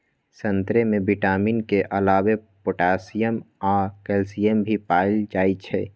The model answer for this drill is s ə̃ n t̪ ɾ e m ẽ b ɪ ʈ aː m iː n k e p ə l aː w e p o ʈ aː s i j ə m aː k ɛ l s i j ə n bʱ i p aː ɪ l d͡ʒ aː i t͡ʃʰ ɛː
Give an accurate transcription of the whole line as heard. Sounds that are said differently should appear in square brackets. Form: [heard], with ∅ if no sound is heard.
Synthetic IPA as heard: s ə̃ n t̪ ɾ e m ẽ b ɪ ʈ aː m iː n k e [ʔ] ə l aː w e p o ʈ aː s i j ə m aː k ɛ l s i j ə [m] bʱ i p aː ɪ l d͡ʒ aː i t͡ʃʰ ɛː